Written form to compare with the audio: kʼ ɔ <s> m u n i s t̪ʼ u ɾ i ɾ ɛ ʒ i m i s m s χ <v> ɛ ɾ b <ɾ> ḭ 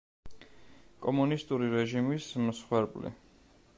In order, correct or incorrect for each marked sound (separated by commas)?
incorrect, incorrect, incorrect